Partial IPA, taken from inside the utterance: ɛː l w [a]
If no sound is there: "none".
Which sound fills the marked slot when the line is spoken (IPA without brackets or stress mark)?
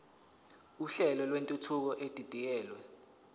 ɛ